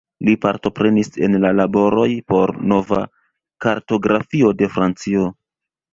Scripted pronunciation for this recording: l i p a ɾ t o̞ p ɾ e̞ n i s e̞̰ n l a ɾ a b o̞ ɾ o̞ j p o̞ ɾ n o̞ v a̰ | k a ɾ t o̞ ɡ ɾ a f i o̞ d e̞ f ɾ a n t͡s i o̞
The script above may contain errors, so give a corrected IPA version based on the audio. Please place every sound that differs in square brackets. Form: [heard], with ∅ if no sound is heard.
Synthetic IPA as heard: l i p a ɾ t o̞ p ɾ e̞ n i s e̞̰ n l a [l] a b o̞ ɾ o̞ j p o̞ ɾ n o̞ v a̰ | k a ɾ t o̞ ɡ ɾ a f i o̞ d e̞ f ɾ a n t͡s i o̞